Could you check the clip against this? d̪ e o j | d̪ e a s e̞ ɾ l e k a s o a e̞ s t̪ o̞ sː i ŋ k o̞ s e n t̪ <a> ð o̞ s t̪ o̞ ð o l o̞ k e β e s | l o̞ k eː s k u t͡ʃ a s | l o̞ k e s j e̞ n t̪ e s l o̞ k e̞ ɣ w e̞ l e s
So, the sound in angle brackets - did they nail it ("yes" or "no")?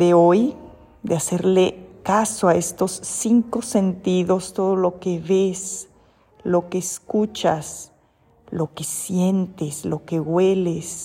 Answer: no